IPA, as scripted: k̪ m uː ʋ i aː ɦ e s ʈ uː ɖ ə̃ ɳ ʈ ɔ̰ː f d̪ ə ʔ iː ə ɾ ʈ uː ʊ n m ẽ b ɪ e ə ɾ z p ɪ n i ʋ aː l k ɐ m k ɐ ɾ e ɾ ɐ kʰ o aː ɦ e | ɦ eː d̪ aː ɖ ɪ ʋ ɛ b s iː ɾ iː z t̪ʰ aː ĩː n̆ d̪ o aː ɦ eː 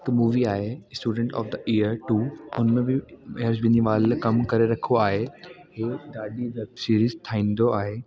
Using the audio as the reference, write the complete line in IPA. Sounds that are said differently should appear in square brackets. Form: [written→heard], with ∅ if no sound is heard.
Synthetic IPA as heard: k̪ m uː ʋ i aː ɦ e s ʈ uː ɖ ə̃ ɳ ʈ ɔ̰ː f d̪ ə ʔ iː ə ɾ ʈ uː ʊ n m ẽ b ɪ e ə ɾ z [p→b] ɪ n i ʋ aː l k ɐ m k ɐ ɾ e ɾ ɐ kʰ o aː ɦ e | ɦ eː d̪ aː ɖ [ɪ→i] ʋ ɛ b s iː ɾ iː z t̪ʰ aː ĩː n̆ d̪ o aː ɦ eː